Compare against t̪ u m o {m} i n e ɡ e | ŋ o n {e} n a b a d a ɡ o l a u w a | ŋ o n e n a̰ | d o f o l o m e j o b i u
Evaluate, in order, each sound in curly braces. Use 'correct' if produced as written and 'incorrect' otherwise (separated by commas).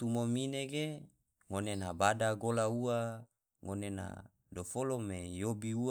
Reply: correct, correct